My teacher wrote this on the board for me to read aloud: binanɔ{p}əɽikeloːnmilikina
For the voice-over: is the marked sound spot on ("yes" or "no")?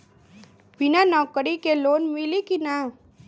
no